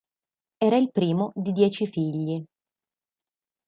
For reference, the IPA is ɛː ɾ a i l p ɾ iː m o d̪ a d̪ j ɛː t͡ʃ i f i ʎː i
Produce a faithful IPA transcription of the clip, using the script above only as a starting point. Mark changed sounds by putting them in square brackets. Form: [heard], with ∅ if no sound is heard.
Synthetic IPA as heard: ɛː ɾ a i l p ɾ iː m o d̪ [i] d̪ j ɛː t͡ʃ i f i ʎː i